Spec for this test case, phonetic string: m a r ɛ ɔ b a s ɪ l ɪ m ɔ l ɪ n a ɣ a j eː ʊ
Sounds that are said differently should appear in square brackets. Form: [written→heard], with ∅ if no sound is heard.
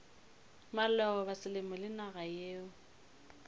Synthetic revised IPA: m a [r→l] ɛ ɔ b a s ɪ l ɪ m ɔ l ɪ n a ɣ a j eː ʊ